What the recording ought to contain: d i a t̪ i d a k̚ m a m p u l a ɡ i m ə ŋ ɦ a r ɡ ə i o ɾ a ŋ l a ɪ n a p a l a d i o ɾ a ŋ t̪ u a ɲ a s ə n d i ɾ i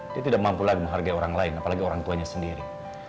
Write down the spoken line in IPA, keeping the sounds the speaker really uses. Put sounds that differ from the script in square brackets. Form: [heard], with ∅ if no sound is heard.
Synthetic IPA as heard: d i a t̪ i d a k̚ m a m p u l a ɡ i m ə ŋ ɦ a r ɡ [a] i o ɾ a ŋ l a ɪ n a p a l a [ɡ] i o ɾ a ŋ t̪ u a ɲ a s ə n d i ɾ i